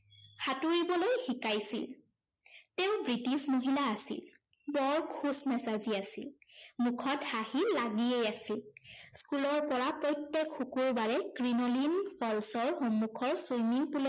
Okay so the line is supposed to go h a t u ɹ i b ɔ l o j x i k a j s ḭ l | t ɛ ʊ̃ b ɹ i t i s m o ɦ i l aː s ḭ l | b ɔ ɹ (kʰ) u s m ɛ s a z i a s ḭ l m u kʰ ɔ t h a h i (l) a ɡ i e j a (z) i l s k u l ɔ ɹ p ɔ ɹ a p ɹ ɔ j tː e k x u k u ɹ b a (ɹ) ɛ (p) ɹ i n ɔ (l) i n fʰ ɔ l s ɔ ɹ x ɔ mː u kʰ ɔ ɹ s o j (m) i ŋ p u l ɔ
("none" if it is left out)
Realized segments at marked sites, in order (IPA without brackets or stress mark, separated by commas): kʰ, l, s, ɹ, k, l, m